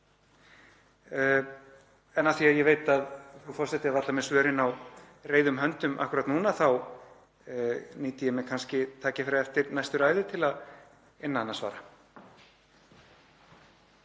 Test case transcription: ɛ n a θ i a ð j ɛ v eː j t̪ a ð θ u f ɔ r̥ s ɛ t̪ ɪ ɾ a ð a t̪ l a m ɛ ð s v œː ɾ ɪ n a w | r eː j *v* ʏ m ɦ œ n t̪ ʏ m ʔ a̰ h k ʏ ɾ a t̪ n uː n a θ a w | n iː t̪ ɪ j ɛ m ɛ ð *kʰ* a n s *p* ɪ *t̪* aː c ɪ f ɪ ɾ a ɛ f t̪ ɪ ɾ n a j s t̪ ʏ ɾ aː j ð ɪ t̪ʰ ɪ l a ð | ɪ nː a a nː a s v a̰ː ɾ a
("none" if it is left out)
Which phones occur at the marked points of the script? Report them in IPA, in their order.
ð, kʰ, c, t̪ʰ

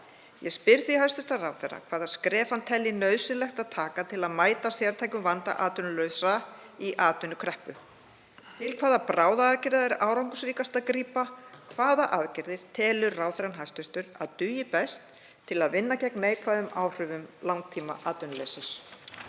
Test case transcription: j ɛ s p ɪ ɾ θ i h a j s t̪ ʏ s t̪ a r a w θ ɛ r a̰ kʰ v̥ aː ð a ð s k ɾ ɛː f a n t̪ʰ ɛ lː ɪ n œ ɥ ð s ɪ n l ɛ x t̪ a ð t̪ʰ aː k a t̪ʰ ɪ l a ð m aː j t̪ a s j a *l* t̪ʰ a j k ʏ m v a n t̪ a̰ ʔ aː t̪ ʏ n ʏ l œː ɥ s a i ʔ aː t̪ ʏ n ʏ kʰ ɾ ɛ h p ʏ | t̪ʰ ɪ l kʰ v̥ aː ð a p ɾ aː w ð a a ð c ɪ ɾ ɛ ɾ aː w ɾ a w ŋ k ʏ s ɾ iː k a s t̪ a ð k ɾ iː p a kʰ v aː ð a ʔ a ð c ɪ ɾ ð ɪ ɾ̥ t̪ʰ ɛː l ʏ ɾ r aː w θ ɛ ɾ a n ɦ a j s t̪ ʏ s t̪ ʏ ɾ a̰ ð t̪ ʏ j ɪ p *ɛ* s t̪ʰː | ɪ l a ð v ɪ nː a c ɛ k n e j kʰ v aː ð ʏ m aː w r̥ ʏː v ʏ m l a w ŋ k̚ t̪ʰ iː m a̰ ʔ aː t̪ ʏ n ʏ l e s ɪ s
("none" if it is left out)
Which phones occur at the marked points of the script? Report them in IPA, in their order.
ɾ, ɛ

